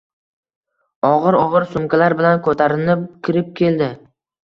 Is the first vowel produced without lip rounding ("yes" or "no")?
no